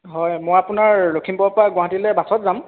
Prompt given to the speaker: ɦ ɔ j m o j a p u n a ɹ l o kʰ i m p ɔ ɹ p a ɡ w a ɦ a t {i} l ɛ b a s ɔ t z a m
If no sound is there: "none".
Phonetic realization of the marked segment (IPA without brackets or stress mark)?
i